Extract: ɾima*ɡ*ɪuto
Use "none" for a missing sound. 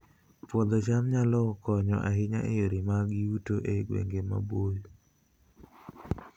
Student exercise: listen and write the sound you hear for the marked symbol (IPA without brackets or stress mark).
ɡ